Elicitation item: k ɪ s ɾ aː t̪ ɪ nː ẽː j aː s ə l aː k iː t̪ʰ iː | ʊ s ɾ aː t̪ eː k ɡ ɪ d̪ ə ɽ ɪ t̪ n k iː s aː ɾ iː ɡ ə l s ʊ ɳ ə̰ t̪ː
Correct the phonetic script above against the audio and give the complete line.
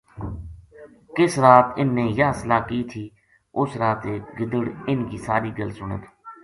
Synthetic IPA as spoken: k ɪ s ɾ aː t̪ ɪ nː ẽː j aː s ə l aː k iː t̪ʰ iː | ʊ s ɾ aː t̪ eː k ɡ ɪ d̪ ə ɽ ɪ n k iː s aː ɾ iː ɡ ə l s ʊ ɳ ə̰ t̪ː